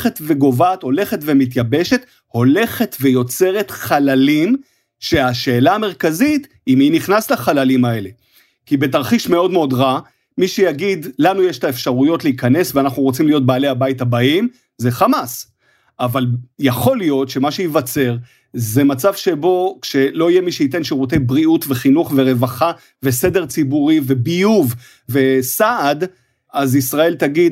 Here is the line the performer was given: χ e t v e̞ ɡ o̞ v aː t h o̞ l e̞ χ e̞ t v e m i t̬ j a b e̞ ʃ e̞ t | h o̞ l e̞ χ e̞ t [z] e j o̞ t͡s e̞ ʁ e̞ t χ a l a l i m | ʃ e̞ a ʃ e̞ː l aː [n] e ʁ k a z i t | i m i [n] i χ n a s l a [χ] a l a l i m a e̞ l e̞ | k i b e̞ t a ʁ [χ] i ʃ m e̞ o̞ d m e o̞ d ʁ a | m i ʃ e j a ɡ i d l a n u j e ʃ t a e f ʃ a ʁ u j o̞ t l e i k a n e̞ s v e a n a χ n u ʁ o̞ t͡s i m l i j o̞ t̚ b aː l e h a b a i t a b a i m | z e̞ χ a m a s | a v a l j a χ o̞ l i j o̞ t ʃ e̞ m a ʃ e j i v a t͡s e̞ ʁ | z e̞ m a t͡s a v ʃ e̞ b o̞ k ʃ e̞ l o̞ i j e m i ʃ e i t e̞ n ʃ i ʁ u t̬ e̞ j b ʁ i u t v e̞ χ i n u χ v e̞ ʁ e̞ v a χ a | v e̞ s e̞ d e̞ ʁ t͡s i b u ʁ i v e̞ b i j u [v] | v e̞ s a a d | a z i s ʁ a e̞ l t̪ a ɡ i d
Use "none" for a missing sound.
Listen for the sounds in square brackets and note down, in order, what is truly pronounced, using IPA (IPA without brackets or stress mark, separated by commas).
v, m, n, χ, χ, v